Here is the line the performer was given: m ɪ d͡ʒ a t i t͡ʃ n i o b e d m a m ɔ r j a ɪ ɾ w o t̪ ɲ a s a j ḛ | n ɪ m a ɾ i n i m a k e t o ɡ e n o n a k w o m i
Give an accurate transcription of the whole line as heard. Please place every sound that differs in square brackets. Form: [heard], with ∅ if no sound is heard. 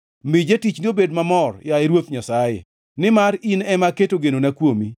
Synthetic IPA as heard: m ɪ d͡ʒ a t i t͡ʃ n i o b e d m a m ɔ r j a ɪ ɾ w o t̪ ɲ a s a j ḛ | n ɪ m a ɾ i n [ɛ] m a k e t o ɡ e n o n a k w o m i